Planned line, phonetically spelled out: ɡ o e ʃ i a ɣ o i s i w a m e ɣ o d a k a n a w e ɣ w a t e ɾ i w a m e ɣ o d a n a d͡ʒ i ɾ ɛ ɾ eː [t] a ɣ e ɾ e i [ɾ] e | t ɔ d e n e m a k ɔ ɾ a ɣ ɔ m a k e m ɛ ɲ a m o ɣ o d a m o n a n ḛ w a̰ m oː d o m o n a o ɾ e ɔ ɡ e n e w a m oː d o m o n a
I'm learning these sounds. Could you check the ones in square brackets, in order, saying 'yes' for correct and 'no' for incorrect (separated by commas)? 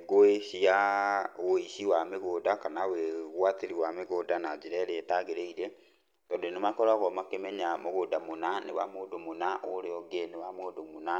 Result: yes, yes